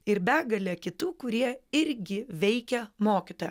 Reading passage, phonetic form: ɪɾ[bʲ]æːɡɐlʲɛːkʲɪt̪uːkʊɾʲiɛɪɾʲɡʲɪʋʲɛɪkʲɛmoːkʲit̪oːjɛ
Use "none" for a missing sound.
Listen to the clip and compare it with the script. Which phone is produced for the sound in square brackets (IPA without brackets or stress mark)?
bʲ